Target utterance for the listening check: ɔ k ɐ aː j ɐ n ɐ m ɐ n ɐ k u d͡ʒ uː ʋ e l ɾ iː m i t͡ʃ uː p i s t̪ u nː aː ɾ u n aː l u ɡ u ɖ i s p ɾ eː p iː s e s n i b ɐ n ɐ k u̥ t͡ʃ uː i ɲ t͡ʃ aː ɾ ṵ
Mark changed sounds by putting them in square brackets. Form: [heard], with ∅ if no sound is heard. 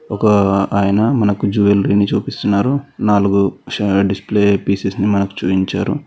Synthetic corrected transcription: ɔ k ɐ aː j ɐ n ɐ m ɐ n ɐ k u d͡ʒ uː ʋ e l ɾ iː [n] i t͡ʃ uː p i s t̪ u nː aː ɾ u n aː l u ɡ u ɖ i s p [l] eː p iː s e s n i [m] ɐ n ɐ k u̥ t͡ʃ uː i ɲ t͡ʃ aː ɾ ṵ